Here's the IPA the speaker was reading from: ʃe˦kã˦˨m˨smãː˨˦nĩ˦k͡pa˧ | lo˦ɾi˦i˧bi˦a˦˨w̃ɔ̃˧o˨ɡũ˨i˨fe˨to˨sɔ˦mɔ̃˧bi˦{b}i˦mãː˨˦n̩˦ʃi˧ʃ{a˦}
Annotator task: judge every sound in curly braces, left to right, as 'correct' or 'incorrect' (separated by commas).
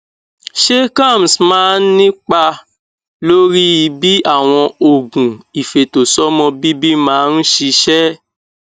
correct, incorrect